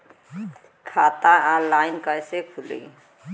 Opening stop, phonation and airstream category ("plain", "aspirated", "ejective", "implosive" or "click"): aspirated